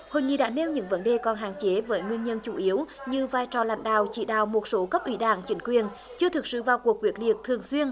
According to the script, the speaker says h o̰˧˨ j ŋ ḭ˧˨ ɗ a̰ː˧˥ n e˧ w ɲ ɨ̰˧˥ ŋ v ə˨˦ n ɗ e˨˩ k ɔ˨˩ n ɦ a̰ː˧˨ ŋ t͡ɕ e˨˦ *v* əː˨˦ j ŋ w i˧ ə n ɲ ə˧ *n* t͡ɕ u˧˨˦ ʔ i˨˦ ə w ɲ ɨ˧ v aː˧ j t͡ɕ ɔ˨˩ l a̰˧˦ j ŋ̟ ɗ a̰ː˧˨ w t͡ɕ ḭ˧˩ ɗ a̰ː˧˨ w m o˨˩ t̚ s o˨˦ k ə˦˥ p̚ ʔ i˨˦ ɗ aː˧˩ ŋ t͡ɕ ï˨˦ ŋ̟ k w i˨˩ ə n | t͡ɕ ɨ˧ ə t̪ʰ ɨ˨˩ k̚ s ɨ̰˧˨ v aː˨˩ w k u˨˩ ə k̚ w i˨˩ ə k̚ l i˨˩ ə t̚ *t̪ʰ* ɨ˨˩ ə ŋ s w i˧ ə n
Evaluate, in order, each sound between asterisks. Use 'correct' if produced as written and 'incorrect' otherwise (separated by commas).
correct, correct, correct